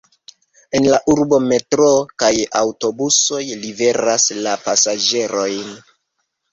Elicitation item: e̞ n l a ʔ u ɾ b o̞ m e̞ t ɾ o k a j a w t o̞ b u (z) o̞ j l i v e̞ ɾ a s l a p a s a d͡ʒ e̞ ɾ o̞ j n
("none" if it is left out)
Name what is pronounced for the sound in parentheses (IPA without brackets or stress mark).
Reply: s